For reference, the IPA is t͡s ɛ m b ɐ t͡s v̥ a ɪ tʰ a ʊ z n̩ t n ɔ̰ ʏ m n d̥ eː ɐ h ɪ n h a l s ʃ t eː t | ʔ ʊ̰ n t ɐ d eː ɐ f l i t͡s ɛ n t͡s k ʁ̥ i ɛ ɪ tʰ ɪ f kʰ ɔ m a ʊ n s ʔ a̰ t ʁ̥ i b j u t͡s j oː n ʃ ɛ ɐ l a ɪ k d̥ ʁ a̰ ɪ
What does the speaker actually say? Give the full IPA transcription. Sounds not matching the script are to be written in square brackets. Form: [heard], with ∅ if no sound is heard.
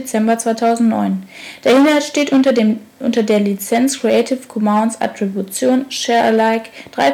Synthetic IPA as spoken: t͡s ɛ m b ɐ t͡s v̥ a ɪ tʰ a ʊ z n̩ t n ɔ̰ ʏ [∅] n d̥ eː ɐ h ɪ n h a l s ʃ t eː t | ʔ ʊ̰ n t ɐ d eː ɐ [∅] l i t͡s ɛ n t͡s k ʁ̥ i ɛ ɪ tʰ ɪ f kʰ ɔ m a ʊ n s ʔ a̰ t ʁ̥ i b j u t͡s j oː n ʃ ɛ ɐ l a ɪ k d̥ ʁ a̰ ɪ